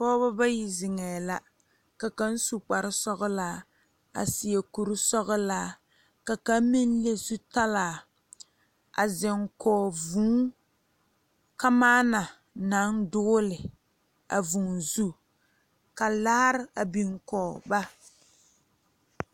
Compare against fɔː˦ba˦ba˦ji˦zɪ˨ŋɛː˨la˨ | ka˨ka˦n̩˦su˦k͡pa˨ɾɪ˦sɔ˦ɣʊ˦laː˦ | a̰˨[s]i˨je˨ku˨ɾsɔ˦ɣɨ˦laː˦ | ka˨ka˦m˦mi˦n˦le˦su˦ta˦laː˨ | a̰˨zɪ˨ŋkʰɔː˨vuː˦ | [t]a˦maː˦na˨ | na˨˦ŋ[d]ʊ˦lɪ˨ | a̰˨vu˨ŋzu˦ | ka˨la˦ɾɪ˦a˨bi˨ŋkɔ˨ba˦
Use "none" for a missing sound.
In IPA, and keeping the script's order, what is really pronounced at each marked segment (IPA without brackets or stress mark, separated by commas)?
s, k, d